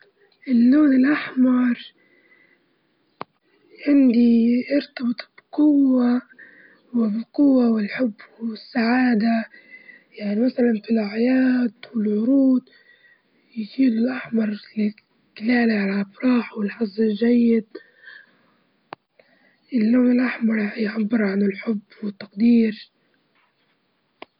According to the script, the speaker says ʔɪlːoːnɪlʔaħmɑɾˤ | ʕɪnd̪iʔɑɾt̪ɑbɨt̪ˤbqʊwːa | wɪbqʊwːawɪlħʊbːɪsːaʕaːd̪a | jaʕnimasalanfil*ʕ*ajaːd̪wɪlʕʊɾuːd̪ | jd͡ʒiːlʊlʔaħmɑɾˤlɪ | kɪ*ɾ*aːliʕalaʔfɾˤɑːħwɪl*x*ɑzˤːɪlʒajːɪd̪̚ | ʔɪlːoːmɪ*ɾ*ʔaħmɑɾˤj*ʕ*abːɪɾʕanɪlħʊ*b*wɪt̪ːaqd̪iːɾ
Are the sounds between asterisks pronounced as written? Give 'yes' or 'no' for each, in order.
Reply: yes, no, no, no, yes, no

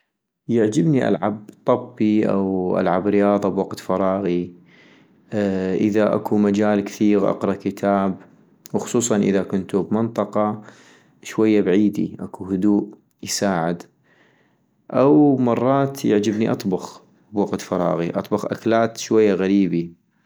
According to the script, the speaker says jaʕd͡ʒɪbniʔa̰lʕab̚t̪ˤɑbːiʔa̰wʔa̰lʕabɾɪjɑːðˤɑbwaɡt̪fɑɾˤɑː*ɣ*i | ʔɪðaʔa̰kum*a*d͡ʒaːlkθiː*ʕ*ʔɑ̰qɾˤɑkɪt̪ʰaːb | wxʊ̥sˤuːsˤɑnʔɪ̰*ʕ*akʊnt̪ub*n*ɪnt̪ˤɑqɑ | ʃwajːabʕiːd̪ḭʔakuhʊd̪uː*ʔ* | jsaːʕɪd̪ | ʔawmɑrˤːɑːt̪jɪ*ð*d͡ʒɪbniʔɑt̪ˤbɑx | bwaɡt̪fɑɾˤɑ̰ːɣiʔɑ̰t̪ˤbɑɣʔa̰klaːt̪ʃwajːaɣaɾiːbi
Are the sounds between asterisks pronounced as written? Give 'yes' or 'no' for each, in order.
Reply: yes, yes, no, no, no, yes, no

